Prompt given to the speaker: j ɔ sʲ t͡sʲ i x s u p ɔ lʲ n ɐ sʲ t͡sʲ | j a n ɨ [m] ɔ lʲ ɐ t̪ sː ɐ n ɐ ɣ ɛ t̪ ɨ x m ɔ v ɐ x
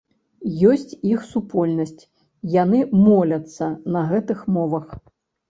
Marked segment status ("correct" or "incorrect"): correct